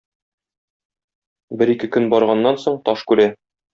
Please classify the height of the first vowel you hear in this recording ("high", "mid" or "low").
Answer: mid